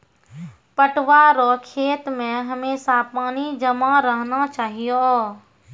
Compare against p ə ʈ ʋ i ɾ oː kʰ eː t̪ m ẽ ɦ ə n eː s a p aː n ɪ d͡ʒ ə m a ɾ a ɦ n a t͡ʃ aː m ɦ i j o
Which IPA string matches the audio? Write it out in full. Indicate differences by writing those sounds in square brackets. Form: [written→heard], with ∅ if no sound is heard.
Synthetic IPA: p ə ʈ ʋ [i→a] ɾ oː kʰ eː t̪ m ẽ ɦ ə [n→m] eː s a p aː n [ɪ→i] d͡ʒ ə m a ɾ [a→ə] ɦ n a t͡ʃ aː [m→∅] ɦ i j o